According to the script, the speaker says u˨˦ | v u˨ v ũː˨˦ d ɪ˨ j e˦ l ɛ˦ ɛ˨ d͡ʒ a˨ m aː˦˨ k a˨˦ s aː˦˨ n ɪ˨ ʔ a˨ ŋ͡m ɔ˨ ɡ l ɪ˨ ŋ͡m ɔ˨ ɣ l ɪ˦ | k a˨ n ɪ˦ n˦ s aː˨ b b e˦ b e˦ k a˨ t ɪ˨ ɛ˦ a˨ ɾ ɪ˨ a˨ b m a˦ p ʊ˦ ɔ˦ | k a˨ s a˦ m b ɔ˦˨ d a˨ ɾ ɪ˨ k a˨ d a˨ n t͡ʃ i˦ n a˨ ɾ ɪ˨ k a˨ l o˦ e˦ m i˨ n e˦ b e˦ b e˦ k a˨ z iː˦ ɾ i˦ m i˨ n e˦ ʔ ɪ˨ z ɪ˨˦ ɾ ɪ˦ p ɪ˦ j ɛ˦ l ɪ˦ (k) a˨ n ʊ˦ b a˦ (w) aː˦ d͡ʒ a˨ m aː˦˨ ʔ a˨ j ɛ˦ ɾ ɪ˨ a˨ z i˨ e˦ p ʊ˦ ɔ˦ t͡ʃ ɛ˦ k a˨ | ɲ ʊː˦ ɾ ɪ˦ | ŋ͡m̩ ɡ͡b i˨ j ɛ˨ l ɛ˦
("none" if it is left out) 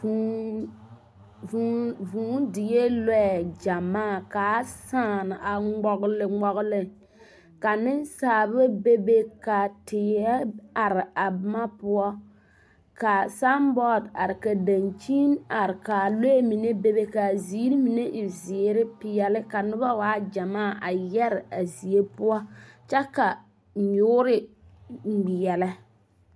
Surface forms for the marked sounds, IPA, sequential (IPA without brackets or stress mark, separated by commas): k, w